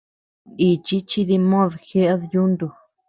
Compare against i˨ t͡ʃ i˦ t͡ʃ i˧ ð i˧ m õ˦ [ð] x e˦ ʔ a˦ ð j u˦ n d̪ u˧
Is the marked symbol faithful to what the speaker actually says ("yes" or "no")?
yes